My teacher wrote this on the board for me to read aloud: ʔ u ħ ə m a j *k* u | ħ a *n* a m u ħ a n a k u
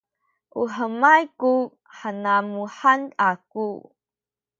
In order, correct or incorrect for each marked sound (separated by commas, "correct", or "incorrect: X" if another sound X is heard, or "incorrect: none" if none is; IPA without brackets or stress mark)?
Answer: correct, correct